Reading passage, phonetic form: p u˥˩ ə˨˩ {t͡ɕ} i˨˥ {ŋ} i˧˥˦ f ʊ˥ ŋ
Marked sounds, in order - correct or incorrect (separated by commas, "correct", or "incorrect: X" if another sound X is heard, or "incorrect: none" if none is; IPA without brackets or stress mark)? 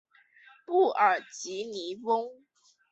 correct, incorrect: n